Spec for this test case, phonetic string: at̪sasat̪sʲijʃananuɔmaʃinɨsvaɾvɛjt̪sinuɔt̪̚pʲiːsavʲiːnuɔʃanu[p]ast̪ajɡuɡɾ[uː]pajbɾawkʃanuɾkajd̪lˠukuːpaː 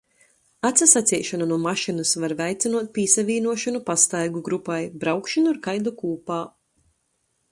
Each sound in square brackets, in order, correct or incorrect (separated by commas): correct, incorrect